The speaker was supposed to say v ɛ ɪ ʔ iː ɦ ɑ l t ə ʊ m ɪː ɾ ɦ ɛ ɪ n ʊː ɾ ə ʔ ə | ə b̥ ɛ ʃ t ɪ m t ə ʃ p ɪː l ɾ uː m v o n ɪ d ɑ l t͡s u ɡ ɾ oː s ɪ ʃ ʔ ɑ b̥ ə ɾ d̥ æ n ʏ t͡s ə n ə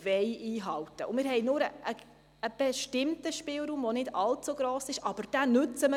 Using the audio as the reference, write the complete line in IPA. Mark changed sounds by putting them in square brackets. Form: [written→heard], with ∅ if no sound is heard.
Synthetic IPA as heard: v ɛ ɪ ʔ iː ɦ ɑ l t ə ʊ m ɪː ɾ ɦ ɛ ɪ n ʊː ɾ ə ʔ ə | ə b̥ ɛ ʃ t ɪ m t ə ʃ p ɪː l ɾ uː m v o n ɪ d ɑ l t͡s u ɡ ɾ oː s ɪ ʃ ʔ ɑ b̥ ə ɾ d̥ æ n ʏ t͡s ə [n→m] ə